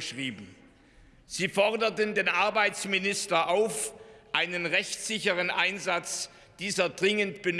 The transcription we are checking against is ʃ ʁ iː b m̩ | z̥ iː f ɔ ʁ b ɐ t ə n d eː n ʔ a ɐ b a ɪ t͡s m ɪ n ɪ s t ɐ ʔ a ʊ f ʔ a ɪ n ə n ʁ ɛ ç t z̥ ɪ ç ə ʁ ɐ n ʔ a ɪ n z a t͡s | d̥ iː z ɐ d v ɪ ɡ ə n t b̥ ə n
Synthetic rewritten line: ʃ ʁ iː b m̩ | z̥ iː f ɔ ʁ d ɐ t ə n d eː n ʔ a ɐ b a ɪ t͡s m ɪ n ɪ s t ɐ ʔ a ʊ f ʔ a ɪ n ə n ʁ ɛ ç t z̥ ɪ ç ə ʁ ə n ʔ a ɪ n z a t͡s | d̥ iː z ɐ d ʁ ɪ ŋ ə n t b̥ ə n

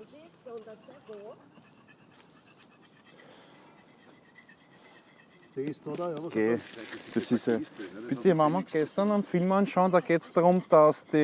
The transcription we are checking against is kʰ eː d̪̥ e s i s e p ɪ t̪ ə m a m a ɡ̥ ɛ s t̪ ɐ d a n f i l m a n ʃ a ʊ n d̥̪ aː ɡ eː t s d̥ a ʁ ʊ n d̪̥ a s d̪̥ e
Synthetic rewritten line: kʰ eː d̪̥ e s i s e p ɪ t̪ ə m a m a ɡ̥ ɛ s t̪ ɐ n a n f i l m a n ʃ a ʊ n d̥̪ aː ɡ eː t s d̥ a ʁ ʊ m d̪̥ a s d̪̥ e

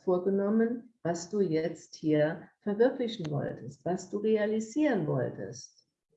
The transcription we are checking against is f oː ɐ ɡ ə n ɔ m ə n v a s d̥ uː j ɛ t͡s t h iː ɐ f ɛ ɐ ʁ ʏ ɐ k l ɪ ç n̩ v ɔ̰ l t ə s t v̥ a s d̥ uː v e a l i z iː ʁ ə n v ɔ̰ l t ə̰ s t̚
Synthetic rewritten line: f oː ɐ ɡ ə n ɔ m ə n v a s d̥ uː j ɛ t͡s t h iː ɐ f ɛ ɐ v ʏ ɐ k l ɪ ç n̩ v ɔ̰ l t ə s t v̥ a s d̥ uː ʁ e a l i z iː ʁ ə n v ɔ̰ l t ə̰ s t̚

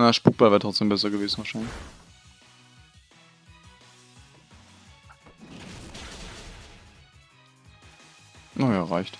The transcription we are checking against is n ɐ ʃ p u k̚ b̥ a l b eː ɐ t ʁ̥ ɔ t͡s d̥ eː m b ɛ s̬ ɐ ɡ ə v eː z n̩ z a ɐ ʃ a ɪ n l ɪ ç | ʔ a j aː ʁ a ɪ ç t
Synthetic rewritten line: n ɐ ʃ p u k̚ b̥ a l v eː ɐ t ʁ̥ ɔ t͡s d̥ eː m b ɛ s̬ ɐ ɡ ə v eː z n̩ v a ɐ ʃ a ɪ n l ɪ ç | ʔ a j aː ʁ a ɪ ç t

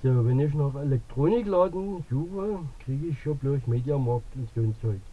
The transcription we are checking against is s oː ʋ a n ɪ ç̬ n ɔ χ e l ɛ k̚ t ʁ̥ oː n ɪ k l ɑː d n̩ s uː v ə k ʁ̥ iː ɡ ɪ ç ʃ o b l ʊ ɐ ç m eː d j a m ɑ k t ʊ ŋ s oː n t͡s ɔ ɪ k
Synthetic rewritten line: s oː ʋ ɛ n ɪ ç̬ n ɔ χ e l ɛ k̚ t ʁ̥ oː n ɪ k l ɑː d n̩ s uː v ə k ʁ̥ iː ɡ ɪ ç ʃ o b l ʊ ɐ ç m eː d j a m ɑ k t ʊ n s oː n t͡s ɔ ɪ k

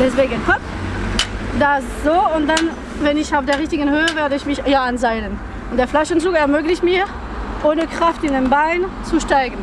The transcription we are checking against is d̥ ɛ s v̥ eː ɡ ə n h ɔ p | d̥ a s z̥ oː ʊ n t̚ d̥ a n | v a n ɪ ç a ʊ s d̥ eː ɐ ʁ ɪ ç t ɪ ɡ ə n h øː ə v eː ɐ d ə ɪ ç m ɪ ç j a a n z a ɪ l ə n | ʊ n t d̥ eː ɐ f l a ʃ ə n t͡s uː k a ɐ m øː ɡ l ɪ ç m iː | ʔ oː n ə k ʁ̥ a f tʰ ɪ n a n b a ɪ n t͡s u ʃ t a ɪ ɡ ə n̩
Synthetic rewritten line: d̥ ɛ s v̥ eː ɡ ə n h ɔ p | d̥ a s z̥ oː ʊ n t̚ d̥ a n | v ɛ n ɪ ç a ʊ f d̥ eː ɐ ʁ ɪ ç t ɪ ɡ ə n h øː ə v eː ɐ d ə ɪ ç m ɪ ç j a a n z a ɪ l ə n | ʊ n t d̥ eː ɐ f l a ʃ ə n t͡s uː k ɛ ɐ m øː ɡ l ɪ ç m iː | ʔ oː n ə k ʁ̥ a f t ɪ n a n b a ɪ n t͡s u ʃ t a ɪ ɡ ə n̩

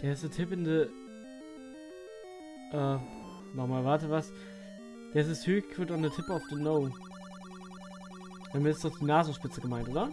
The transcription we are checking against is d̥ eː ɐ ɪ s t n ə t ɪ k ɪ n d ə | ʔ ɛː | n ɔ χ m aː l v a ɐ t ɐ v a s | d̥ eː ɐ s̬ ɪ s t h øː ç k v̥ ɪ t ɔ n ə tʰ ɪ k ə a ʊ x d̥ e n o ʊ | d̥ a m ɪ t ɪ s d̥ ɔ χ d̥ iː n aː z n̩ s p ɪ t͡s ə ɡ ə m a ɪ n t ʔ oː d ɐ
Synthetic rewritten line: d̥ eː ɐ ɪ s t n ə tʰ ɪ p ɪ n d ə | ʔ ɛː | n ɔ χ m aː l v a ɐ t ə v a s | d̥ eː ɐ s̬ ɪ s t h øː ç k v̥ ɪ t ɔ n ə tʰ ɪ p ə a ʊ f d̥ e n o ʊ | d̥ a m ɪ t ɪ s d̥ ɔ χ d̥ iː n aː z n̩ ʃ p ɪ t͡s ə ɡ ə m a ɪ n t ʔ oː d ɐ

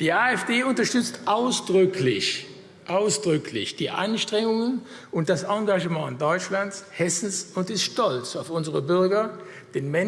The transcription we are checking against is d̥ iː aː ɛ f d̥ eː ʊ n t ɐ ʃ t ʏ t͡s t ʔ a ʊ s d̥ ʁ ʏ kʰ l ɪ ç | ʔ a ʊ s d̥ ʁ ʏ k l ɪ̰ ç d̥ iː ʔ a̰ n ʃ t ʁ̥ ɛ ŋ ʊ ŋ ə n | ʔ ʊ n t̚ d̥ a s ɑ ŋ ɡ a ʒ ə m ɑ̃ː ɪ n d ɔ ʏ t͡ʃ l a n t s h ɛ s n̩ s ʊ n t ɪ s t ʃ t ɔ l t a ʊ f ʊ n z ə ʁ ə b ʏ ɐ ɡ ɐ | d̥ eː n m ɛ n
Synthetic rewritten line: d̥ iː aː ɛ f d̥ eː ʊ n t ɐ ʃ t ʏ t͡s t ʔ a ʊ s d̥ ʁ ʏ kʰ l ɪ ç | ʔ a ʊ s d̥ ʁ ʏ k l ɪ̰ ç d̥ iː ʔ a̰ n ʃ t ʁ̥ ɛ ŋ ʊ ŋ ə n | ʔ ʊ n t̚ d̥ a s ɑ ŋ ɡ a ʒ ə m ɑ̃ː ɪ n d ɔ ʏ t͡ʃ l a n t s h ɛ s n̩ s ʊ n t ɪ s t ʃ t ɔ l t͡s a ʊ f ʊ n z ə ʁ ə b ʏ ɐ ɡ ɐ | d̥ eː n m ɛ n

